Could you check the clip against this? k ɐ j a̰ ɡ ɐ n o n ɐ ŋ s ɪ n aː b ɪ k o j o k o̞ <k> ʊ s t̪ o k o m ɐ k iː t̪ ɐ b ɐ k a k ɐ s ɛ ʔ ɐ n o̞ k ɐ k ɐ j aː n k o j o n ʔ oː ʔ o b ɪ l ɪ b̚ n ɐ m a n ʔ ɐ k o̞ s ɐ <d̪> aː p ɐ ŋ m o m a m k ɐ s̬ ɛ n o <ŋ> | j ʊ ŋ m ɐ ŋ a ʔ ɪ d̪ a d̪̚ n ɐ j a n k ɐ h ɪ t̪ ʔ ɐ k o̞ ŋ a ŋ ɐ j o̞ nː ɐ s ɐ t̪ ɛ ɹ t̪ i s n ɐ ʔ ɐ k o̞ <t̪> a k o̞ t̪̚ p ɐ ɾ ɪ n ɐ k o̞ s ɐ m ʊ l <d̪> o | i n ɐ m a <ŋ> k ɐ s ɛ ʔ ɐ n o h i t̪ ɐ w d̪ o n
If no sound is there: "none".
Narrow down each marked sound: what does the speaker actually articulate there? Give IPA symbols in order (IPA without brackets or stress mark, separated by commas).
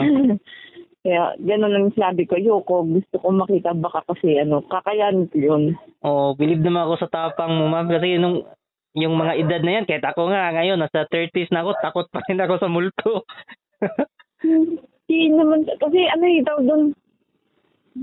ɡ, t̪, ŋ, t̪, t̪, n